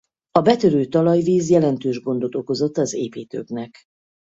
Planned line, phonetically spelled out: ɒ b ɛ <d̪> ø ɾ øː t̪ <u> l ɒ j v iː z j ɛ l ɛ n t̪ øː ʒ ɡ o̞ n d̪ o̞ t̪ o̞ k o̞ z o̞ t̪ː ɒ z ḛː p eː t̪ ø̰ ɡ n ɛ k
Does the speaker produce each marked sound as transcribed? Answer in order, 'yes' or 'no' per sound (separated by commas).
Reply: no, no